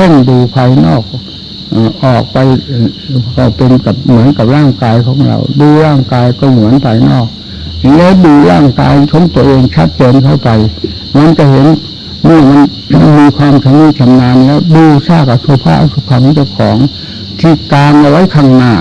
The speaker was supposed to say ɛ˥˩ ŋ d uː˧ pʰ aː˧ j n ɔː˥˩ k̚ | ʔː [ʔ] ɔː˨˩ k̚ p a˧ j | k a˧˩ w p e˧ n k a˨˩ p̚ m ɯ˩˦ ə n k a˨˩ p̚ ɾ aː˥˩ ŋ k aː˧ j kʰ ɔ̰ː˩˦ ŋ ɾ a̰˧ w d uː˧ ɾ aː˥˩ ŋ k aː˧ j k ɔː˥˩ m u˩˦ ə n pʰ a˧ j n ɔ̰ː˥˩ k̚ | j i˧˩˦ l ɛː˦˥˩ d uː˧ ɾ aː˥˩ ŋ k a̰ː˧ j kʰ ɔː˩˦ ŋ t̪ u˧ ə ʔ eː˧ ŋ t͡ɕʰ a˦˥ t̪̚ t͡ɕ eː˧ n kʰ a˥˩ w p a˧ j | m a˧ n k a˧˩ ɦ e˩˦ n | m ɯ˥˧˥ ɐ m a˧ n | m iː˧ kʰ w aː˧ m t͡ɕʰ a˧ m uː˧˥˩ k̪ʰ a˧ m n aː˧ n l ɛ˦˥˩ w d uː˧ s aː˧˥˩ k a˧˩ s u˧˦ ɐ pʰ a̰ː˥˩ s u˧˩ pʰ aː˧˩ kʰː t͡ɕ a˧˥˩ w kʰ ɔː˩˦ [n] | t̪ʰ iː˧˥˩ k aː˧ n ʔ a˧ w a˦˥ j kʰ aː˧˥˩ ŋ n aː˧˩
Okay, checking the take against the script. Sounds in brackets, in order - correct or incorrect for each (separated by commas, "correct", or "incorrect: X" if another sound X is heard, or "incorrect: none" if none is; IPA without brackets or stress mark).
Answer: correct, incorrect: ŋ